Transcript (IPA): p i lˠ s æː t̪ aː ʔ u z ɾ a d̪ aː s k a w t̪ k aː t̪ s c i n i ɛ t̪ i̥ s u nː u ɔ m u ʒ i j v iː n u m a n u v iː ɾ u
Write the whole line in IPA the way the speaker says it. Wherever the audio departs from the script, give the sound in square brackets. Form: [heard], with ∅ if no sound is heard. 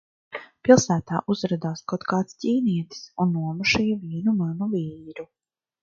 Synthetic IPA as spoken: p i lˠ s æː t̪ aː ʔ u z ɾ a d̪ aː s k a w t̪ k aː t̪ s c [iː] n i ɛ t̪ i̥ s u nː u ɔ m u [ʃ] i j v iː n u m a n u v iː ɾ u

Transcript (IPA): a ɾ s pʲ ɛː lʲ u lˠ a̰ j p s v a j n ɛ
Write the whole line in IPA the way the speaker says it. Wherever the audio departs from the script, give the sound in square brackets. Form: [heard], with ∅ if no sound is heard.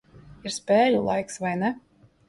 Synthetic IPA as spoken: [i] ɾ s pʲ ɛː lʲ u lˠ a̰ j [k] s v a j n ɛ

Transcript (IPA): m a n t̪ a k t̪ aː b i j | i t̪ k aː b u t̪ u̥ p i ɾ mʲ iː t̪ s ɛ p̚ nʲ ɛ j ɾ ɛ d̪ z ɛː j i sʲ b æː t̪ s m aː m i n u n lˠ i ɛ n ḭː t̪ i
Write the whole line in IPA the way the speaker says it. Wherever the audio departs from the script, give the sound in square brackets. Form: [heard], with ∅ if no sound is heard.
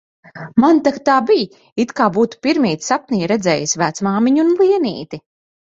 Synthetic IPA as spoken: m a n t̪ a k t̪ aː b i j | i t̪ k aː b [uː] t̪ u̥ p i ɾ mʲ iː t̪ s [a] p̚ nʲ [i] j ɾ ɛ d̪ z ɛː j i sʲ [v] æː t̪ s m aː m i [ɲ] u n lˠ i ɛ n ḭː t̪ i

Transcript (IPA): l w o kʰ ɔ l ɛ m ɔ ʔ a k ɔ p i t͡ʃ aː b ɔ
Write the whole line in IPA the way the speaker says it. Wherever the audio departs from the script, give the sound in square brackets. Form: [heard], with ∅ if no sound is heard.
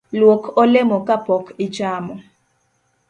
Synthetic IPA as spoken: l w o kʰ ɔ l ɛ m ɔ [k] a [p] ɔ [k] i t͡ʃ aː [m] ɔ

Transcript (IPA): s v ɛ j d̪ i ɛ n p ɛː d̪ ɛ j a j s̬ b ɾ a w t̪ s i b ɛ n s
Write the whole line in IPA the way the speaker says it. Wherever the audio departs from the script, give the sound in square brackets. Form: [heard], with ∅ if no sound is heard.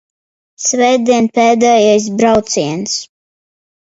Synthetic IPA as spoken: s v ɛ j d̪ i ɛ n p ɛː d̪ ɛ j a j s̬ b ɾ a w t̪ s i [∅] ɛ n s

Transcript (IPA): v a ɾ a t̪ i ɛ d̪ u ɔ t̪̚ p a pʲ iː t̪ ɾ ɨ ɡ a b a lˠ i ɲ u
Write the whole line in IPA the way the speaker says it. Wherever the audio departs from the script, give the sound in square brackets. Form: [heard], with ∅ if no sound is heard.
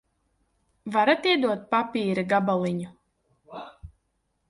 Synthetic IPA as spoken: v a ɾ a t̪ i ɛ d̪ u ɔ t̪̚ p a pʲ iː [∅] ɾ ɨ ɡ a b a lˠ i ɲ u

